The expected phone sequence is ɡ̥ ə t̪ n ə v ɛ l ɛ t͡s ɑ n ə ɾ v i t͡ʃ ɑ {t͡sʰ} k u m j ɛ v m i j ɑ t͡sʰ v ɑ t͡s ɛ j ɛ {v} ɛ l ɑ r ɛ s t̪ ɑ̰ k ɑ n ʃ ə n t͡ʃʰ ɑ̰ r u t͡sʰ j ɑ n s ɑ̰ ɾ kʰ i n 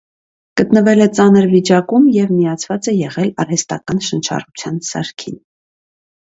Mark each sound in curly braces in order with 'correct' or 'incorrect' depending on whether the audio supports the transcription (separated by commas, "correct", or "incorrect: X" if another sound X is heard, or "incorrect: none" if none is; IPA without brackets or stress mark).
incorrect: none, incorrect: ʁ